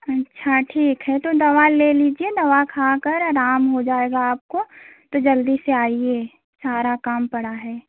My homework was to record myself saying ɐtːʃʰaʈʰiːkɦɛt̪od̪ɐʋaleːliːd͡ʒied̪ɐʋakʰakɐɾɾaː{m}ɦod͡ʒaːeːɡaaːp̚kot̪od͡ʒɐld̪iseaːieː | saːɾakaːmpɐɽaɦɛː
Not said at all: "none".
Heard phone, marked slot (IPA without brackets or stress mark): m